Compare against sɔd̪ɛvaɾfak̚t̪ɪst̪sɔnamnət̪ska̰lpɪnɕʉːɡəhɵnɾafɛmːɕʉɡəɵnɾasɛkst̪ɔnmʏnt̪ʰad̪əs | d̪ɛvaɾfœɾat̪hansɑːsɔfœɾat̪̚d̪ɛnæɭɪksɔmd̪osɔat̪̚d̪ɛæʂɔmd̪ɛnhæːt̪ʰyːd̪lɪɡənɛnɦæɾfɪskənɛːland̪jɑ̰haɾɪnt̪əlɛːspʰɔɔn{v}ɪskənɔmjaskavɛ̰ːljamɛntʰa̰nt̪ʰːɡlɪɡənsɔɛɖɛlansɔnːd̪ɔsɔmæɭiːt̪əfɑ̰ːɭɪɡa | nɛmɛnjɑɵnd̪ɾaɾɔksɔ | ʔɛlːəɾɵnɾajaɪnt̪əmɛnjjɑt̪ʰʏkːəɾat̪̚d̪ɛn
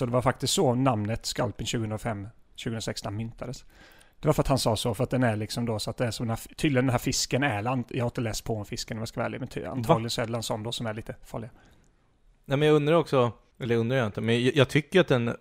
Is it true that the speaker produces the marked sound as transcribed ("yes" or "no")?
no